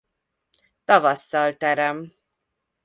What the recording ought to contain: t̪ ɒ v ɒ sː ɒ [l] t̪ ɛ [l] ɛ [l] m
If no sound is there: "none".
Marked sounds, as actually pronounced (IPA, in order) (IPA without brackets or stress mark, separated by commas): l, ɾ, none